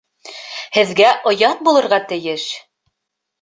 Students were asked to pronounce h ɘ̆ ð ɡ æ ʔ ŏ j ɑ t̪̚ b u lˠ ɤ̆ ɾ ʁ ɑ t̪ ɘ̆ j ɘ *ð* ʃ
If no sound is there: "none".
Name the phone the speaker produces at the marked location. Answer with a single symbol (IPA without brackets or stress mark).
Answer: none